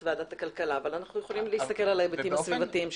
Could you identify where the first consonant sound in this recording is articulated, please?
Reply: labial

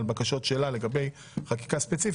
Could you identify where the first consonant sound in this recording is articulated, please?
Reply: alveolar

